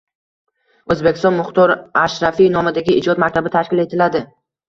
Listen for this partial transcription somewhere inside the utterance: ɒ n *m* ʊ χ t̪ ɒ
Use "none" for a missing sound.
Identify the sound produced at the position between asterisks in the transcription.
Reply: m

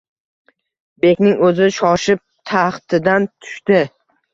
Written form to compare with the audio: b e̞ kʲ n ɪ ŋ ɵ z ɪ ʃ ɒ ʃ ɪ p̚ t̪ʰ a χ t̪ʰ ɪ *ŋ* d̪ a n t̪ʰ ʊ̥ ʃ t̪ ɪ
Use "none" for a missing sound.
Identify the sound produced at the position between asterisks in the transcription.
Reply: none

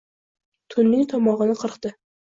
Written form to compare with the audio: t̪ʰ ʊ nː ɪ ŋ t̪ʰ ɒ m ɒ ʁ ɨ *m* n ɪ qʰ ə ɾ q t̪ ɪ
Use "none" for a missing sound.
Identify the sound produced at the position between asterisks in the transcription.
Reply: none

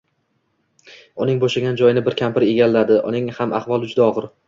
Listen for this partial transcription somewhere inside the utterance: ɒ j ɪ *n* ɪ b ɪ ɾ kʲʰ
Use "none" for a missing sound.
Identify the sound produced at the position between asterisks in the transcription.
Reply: n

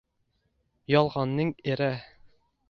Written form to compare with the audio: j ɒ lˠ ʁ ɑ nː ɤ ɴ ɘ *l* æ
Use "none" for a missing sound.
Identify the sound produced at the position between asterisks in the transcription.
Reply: ɾ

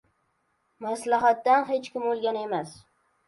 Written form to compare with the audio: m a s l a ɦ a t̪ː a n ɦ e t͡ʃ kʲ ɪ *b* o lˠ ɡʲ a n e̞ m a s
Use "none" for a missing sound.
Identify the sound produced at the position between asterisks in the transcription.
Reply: m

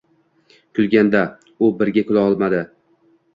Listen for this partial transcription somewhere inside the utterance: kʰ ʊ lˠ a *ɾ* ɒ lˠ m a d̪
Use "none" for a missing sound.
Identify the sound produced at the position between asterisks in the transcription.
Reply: none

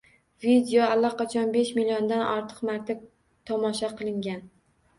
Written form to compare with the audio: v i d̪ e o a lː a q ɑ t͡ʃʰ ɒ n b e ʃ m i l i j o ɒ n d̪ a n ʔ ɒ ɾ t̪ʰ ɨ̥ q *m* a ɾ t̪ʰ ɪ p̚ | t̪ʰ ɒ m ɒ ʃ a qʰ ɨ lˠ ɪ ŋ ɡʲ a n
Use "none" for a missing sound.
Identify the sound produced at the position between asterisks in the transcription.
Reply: m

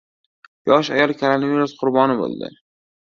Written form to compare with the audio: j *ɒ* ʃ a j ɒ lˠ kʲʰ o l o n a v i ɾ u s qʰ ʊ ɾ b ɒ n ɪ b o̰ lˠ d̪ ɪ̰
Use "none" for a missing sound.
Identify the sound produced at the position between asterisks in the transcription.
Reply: ɒ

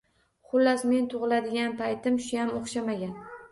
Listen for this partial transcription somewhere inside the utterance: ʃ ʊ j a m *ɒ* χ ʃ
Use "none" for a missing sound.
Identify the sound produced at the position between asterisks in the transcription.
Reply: o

